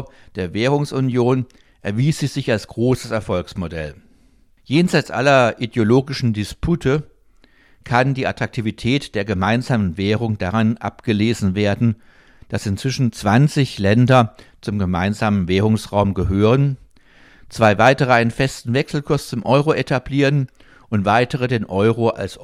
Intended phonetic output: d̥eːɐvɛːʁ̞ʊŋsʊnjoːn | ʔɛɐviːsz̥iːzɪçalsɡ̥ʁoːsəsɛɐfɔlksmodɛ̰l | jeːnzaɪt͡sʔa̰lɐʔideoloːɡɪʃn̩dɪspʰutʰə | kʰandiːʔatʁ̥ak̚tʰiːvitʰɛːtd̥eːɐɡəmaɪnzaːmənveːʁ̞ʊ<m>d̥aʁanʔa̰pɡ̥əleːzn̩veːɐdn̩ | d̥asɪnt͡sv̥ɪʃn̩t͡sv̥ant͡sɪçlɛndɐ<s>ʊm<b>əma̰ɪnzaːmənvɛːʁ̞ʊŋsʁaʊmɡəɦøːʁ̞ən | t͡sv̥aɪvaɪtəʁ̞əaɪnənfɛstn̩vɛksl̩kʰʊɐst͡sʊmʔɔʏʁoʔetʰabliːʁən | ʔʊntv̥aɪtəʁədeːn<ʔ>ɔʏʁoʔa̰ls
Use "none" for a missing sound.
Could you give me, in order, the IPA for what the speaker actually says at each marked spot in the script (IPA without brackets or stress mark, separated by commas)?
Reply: ŋ, t͡s, ɡ, ʔ